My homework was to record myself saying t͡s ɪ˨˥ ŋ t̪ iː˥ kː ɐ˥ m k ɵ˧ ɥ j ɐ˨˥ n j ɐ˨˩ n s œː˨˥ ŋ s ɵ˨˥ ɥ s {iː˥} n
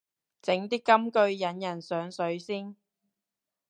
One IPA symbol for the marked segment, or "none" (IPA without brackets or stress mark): iː˥